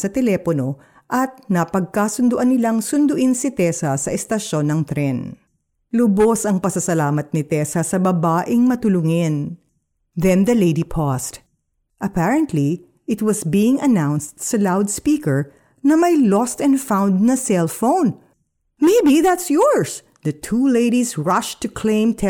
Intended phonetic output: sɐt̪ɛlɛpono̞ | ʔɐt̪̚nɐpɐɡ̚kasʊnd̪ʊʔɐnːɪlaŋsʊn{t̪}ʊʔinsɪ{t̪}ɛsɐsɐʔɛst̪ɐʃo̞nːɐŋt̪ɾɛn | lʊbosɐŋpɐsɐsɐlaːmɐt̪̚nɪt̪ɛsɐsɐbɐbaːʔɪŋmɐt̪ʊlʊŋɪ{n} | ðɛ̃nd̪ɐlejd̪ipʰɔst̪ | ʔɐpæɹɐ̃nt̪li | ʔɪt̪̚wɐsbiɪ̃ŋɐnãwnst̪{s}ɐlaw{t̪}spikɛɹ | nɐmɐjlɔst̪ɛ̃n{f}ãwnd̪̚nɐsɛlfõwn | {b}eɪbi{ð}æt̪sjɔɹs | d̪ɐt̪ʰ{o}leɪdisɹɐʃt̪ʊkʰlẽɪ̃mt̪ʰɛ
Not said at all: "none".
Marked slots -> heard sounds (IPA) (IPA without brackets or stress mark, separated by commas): d̪, t̪, n, s, d̪, f, m, ð, u